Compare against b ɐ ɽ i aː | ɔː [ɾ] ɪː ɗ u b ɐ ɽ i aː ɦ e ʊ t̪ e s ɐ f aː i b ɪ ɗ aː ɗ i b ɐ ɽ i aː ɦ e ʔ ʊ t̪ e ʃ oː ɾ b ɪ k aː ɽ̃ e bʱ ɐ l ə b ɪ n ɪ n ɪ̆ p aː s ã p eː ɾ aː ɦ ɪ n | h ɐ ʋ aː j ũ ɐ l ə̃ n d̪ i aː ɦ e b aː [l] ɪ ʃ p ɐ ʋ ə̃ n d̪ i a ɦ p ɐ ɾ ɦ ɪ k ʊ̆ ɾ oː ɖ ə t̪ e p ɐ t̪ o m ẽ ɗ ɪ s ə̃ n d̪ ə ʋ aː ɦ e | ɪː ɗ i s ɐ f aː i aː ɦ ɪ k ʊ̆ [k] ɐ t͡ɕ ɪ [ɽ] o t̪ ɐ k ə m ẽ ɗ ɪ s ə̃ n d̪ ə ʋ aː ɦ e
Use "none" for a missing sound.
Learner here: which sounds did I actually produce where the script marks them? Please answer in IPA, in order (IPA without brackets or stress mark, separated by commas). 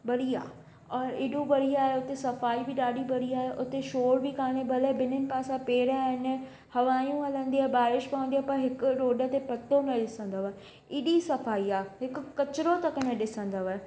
ɾ, ɾ, k, ɾ